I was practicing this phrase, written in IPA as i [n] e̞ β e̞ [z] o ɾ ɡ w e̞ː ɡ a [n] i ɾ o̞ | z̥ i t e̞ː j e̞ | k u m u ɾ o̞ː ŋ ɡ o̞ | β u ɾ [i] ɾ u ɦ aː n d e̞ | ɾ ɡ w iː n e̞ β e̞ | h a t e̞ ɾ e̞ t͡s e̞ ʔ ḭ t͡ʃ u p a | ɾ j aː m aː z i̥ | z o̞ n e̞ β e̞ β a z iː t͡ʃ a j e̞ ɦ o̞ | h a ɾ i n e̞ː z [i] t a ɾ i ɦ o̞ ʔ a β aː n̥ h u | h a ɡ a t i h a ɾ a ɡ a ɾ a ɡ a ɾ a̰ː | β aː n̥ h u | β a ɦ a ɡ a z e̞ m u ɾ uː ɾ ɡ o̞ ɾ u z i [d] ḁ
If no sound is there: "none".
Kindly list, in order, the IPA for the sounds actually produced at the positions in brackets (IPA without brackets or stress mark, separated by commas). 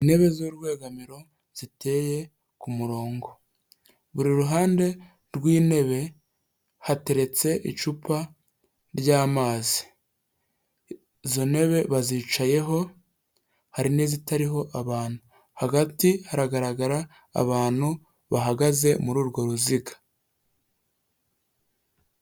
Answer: n, z, m, i, i, ɡ